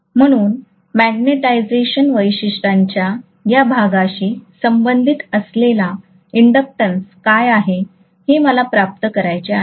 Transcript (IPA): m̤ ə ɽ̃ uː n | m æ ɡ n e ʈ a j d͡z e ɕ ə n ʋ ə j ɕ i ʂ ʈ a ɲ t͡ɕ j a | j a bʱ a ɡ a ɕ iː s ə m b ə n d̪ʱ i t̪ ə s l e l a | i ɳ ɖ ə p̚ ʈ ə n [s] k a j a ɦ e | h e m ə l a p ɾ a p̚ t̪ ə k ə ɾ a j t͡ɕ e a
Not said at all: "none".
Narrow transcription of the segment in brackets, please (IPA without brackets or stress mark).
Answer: s